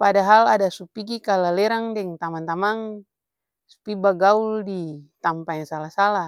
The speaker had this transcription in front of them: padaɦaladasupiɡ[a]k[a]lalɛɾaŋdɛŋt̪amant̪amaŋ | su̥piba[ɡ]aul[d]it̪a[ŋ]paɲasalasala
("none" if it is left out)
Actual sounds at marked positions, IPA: i, a, ɡ, d, m

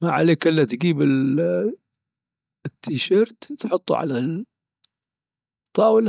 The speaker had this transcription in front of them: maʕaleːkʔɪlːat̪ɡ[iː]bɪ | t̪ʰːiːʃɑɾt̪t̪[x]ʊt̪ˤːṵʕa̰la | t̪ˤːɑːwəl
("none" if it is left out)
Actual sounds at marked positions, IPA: iː, ħ

